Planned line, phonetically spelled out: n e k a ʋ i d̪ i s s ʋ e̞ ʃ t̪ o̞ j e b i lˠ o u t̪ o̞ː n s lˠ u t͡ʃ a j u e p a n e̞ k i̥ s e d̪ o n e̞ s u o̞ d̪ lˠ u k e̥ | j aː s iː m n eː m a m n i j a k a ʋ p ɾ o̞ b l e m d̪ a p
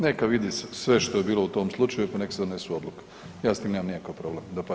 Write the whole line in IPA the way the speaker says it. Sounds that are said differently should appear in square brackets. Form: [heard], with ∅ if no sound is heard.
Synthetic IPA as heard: n e k a ʋ i d̪ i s s ʋ e̞ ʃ t̪ o̞ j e b [iː] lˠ o u t̪ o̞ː [m] s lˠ u t͡ʃ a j u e p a n e̞ k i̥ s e d̪ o n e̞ s u o̞ d̪ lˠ u k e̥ | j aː s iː m n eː m a m n i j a k a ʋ p ɾ o̞ b l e m d̪ a p